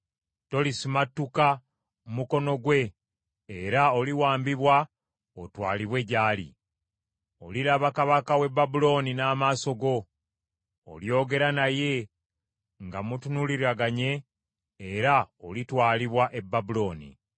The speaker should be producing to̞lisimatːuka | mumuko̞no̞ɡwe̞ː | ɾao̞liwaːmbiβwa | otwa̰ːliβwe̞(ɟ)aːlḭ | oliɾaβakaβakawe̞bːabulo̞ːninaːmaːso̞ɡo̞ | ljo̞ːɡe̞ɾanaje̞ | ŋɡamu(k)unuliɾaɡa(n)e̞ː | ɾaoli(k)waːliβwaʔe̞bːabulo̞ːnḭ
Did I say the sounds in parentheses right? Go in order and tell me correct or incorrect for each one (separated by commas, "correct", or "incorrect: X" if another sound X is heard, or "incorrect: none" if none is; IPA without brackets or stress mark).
correct, incorrect: t, incorrect: ɲ, incorrect: t